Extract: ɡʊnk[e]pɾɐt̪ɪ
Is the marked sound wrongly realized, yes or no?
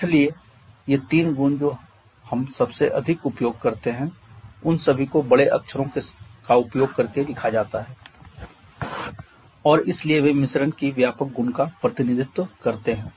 yes